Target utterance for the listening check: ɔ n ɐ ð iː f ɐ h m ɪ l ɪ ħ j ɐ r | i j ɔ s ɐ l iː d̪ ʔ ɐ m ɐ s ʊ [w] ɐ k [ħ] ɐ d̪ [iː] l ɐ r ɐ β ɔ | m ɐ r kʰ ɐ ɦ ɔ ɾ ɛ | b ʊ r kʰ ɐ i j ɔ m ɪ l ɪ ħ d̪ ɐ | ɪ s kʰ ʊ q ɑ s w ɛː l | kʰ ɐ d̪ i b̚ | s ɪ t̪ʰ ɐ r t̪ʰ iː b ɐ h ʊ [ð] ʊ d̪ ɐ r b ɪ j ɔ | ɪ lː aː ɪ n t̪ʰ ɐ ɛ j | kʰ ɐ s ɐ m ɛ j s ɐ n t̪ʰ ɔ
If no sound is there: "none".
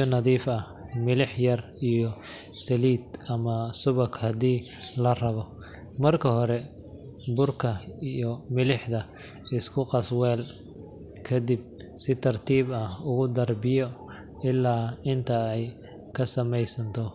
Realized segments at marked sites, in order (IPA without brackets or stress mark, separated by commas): β, h, iː, ɣ